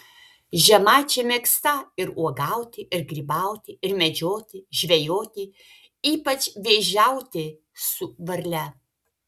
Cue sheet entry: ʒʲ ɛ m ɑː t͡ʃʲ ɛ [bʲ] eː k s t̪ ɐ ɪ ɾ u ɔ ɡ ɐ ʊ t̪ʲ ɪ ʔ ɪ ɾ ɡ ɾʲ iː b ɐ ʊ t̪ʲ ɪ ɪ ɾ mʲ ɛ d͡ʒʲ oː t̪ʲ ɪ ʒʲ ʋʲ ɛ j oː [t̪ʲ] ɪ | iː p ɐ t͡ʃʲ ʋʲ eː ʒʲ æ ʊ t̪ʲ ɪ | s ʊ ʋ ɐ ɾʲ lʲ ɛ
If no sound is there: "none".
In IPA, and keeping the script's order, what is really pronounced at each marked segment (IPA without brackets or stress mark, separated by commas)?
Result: mʲ, t̪ʲ